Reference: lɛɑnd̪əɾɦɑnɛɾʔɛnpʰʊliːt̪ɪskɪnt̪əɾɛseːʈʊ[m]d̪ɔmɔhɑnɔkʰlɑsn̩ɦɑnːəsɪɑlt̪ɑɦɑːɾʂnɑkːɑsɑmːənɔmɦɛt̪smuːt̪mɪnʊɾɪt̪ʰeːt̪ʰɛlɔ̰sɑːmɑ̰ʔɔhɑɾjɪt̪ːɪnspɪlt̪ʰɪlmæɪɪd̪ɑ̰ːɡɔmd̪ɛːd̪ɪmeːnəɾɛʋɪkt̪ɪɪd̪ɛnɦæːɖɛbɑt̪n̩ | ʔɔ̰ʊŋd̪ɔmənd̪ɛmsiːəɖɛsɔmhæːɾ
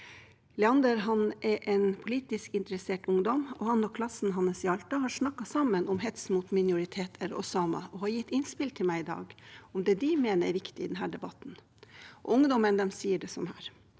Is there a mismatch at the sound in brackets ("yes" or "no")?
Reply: yes